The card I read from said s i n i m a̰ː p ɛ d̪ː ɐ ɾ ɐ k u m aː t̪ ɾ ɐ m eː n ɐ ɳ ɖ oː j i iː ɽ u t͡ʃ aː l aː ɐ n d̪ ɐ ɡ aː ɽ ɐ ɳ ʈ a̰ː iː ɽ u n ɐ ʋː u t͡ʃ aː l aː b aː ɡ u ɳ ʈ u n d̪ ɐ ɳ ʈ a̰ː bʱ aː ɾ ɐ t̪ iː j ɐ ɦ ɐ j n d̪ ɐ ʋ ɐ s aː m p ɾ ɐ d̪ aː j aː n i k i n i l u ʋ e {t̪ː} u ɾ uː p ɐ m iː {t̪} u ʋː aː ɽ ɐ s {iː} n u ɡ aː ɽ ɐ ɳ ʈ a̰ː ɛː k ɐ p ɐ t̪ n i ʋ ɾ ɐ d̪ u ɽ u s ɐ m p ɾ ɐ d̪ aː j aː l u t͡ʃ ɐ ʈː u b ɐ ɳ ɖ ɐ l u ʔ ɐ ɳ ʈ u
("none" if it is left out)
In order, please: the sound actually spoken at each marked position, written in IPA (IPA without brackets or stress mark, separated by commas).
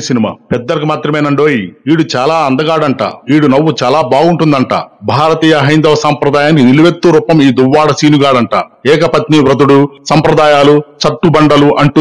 t̪ː, d̪, iː